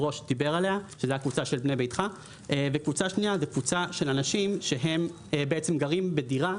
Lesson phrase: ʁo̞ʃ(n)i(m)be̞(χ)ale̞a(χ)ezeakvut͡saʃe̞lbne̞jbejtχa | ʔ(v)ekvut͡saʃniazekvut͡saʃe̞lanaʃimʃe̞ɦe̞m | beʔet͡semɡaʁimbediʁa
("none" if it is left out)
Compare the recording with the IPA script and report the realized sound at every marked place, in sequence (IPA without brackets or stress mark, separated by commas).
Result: d, none, ʁ, ʃ, v